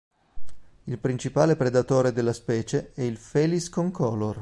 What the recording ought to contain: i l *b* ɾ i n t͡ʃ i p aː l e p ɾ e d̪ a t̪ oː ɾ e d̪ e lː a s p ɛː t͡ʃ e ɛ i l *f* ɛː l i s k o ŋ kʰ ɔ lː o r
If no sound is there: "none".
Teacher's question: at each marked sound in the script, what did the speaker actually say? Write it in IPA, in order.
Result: p, f

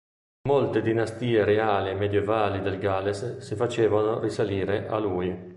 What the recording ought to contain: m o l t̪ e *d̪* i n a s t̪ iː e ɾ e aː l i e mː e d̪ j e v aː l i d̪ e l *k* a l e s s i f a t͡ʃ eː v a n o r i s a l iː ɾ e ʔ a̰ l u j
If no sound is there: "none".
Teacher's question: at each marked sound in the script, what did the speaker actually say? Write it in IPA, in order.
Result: d̪, ɡ

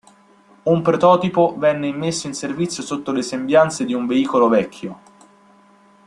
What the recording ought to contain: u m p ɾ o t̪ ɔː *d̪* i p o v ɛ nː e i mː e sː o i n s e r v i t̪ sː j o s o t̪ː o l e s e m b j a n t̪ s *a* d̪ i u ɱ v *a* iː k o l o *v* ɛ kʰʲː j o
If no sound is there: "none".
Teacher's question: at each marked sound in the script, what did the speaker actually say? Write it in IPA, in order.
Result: t̪, e, e, v

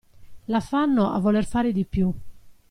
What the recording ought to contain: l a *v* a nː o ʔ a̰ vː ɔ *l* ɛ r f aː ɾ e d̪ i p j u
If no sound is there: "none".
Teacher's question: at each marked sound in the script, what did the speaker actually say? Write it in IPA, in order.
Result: f, l

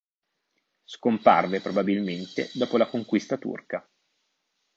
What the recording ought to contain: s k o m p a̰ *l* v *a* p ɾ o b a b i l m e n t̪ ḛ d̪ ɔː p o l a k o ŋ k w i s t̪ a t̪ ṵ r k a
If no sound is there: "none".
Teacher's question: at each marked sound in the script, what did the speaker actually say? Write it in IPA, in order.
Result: r, e

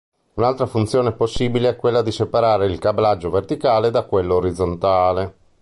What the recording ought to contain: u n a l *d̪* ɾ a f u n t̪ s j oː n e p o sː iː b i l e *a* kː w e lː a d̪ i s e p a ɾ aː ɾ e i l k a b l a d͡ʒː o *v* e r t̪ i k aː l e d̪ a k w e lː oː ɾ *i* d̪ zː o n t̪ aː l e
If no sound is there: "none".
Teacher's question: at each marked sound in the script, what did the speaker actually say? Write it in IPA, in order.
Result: t̪, ɛ, v, i

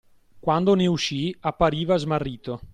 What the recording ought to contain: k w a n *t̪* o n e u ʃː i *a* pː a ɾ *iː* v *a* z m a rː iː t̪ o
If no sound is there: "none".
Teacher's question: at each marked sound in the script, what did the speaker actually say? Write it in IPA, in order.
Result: d̪, a, iː, a

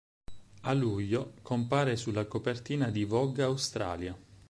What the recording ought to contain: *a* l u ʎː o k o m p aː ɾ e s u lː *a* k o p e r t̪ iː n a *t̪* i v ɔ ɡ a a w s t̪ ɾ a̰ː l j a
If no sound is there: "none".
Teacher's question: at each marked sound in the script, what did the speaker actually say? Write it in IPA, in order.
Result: a, a, d̪

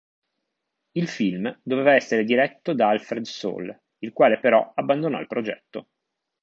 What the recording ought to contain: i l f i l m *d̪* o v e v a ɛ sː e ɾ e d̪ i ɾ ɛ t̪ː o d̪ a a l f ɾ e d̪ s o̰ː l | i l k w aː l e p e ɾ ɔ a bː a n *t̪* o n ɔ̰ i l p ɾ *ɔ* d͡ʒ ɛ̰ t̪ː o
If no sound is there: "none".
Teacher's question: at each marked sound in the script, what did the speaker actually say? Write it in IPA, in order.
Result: d̪, d̪, o

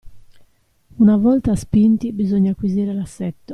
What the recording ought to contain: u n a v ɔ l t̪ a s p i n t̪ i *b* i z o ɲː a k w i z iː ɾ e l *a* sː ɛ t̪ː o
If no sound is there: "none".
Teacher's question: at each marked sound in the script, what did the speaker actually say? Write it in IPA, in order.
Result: b, a

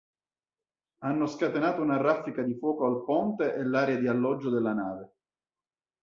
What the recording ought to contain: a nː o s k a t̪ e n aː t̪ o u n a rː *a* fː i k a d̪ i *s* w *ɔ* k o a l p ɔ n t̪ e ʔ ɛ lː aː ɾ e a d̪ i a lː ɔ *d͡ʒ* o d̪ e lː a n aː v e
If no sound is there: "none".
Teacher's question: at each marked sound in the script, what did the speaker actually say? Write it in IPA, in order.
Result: a, f, ɔː, d͡ʒː

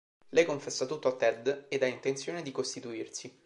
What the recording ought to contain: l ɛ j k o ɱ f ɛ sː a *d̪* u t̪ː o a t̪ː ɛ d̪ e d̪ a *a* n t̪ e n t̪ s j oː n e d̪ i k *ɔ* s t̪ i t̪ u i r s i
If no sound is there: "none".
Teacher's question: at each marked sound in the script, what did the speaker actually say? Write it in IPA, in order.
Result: t̪, i, o

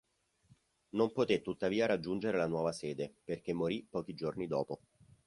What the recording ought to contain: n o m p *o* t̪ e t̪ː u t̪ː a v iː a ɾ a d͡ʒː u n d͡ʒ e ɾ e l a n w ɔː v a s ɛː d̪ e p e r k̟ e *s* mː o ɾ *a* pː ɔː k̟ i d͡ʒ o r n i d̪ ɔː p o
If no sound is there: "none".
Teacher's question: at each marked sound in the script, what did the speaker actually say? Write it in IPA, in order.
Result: o, none, i

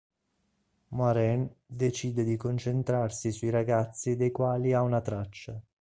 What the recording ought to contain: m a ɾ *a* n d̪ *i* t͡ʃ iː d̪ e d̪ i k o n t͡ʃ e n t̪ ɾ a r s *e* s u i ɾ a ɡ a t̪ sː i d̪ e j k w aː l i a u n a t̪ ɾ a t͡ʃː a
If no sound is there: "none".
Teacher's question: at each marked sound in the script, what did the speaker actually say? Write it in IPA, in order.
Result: ɛ, e, i

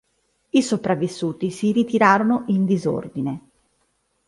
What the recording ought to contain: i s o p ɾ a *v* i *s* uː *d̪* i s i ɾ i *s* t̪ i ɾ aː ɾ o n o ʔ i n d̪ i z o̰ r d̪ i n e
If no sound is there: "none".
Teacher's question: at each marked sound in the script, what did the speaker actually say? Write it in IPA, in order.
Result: vː, sː, t̪, none

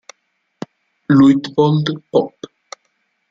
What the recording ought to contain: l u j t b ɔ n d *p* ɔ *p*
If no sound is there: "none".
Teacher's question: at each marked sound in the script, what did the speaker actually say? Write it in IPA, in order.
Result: p, p

